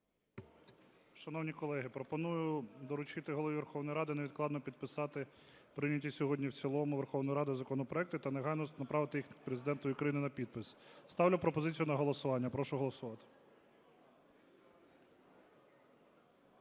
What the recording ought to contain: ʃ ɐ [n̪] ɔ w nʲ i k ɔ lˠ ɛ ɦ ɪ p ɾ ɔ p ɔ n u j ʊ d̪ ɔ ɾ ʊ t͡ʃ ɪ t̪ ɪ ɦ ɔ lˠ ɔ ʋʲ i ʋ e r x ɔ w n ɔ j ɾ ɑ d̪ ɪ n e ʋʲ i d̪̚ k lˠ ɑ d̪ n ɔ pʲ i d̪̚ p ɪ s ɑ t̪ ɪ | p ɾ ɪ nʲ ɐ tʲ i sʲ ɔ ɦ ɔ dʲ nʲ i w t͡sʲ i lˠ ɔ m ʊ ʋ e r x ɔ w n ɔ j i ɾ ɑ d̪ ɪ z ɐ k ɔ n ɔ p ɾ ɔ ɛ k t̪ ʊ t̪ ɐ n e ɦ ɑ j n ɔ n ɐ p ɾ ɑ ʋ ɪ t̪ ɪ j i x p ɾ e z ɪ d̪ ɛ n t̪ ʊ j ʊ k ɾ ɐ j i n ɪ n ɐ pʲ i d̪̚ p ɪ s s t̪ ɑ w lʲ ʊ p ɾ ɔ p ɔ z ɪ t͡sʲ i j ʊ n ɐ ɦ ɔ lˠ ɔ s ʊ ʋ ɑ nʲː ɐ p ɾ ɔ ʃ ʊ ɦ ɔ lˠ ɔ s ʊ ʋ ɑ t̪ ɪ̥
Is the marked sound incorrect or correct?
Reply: correct